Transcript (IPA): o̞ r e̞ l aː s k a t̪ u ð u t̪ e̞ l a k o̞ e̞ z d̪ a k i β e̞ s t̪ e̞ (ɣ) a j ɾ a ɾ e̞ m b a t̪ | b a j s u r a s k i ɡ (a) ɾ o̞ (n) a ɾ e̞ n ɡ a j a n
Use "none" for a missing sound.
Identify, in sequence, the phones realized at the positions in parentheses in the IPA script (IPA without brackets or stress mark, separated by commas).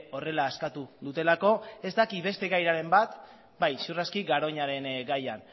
ɣ, a, ɲ